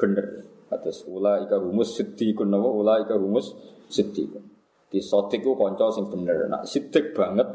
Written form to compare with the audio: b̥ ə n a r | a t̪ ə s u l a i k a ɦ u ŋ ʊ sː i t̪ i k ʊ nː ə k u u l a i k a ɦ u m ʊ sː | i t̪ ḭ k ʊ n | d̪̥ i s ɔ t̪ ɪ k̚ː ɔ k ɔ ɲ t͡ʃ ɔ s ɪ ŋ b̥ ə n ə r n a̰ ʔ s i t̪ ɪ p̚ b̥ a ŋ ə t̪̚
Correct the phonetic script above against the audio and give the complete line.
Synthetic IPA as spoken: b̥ ə n ə r | a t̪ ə s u l a i k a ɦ u m ʊ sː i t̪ i k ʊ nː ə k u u l a i k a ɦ u m ʊ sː | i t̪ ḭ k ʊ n | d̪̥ i s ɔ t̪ ɪ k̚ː u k ɔ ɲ t͡ʃ ɔ s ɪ ŋ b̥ ə n ə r n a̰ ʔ s i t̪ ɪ k̚ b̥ a ŋ ə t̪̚